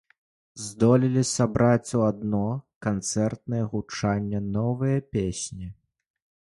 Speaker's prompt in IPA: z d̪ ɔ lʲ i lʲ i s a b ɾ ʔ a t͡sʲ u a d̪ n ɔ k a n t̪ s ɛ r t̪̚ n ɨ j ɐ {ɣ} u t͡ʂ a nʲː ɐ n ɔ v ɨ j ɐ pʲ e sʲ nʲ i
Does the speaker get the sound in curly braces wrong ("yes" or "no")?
no